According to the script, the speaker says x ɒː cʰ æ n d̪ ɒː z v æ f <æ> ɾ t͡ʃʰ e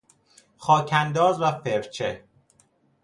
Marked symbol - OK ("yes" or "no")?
no